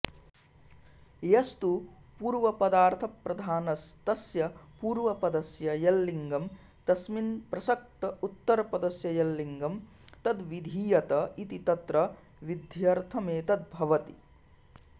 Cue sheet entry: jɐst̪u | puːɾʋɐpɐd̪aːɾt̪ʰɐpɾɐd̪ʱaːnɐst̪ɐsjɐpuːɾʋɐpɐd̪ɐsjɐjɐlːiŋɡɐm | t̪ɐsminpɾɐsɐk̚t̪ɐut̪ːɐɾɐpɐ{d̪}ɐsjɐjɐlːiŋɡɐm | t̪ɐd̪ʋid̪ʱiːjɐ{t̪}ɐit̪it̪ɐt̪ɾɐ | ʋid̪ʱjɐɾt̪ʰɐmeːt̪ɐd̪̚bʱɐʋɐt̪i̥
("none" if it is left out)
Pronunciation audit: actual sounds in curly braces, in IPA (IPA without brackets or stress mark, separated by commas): d̪, t̪